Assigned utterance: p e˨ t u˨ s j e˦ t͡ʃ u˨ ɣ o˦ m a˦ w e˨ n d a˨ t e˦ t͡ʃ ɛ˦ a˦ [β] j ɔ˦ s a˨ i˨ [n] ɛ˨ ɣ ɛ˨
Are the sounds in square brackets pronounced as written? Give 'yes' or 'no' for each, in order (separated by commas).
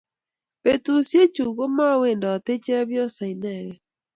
yes, yes